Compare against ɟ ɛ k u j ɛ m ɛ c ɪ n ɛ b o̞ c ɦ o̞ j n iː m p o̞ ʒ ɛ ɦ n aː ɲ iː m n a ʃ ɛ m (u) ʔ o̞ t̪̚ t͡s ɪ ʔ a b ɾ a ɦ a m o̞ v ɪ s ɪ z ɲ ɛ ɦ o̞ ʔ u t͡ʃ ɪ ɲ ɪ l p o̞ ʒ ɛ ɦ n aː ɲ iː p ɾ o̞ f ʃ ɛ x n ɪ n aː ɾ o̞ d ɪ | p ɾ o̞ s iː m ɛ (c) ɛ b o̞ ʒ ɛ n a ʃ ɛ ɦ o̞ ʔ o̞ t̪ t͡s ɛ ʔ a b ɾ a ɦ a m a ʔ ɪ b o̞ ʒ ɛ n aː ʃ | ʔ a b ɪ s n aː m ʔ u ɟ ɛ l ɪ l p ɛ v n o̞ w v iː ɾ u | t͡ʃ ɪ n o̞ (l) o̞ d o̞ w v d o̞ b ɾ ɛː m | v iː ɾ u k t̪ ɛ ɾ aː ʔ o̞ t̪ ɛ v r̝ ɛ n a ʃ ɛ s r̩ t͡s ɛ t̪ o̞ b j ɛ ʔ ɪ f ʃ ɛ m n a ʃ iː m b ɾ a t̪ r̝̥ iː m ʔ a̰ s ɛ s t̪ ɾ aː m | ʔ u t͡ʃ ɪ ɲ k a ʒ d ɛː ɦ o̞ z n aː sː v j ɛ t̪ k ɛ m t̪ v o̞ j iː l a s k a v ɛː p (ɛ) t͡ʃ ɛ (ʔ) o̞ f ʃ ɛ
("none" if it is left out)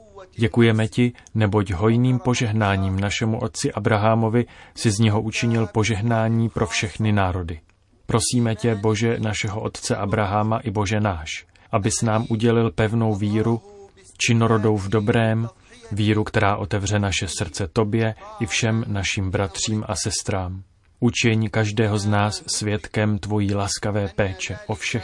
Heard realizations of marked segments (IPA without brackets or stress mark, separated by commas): u, c, ɾ, ɛː, ʔ